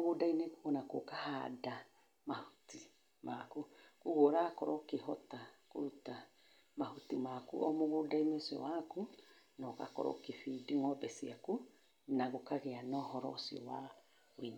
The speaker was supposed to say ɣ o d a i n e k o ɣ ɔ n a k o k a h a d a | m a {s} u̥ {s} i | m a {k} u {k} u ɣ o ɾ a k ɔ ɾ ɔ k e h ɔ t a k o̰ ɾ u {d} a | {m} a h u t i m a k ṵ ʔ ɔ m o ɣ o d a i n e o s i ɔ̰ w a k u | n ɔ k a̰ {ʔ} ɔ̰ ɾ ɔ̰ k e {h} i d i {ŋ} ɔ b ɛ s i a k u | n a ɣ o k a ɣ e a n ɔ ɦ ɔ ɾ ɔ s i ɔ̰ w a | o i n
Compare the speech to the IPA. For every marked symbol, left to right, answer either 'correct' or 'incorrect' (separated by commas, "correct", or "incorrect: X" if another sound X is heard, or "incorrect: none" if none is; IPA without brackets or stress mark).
incorrect: h, incorrect: t, correct, correct, incorrect: t, correct, incorrect: k, incorrect: f, correct